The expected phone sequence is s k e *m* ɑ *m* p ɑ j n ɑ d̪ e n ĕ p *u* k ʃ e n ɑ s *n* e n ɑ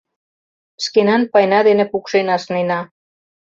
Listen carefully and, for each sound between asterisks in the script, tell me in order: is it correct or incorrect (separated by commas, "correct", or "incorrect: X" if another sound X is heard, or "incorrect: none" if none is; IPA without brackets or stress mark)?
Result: incorrect: n, incorrect: n, correct, correct